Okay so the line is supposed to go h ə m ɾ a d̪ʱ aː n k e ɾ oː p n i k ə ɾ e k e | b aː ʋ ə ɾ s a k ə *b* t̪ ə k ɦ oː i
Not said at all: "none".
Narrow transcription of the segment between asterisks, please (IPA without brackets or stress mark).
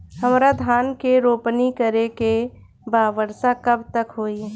b